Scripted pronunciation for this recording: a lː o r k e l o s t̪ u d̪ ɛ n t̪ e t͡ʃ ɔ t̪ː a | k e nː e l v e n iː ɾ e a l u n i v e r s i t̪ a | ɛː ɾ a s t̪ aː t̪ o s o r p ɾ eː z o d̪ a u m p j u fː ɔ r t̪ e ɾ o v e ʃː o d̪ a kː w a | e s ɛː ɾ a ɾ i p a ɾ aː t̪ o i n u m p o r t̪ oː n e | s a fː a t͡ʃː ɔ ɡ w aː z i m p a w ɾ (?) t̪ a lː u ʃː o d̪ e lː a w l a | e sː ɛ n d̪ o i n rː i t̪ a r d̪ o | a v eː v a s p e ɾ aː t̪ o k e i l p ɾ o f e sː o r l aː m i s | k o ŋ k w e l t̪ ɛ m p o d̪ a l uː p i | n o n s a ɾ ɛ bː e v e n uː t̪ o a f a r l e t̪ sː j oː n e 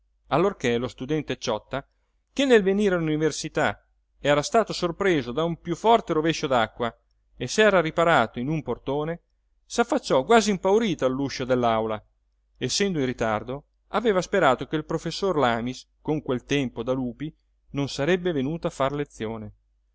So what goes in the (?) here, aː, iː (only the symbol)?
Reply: iː